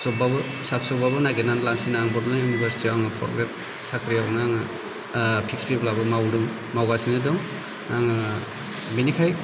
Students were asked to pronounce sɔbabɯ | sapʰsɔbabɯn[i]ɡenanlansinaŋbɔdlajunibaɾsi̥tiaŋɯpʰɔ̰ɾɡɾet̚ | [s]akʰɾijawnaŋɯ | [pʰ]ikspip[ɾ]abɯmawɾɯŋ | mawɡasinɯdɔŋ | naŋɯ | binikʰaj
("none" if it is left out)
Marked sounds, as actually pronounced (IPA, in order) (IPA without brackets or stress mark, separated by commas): a, s, pʰ, l